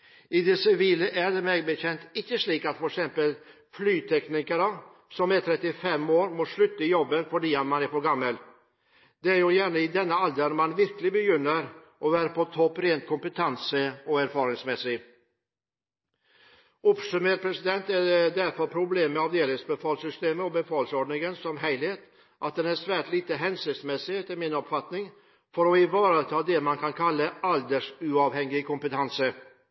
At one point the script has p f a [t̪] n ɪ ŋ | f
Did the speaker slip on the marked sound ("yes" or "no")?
no